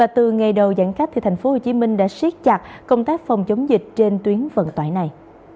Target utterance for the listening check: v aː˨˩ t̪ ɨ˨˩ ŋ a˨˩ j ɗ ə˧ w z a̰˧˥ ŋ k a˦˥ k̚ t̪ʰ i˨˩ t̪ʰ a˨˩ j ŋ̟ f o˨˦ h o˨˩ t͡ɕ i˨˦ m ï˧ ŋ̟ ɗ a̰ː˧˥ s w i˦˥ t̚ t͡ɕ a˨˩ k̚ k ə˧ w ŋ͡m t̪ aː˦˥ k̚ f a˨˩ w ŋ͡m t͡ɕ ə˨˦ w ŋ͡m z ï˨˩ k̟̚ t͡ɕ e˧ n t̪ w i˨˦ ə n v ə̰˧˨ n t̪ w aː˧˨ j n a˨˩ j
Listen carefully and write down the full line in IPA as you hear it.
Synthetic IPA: v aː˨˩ t̪ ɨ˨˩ ŋ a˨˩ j ɗ ə˨˩ w z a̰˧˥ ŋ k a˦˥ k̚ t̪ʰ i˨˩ t̪ʰ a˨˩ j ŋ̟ f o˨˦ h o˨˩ t͡ɕ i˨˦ m ï˧ ŋ̟ ɗ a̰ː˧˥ s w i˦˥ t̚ t͡ɕ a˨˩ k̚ k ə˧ w ŋ͡m t̪ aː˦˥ k̚ f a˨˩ w ŋ͡m t͡ɕ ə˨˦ w ŋ͡m z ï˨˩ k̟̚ t͡ɕ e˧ n t̪ w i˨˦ ə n v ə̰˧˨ n t̪ w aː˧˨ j n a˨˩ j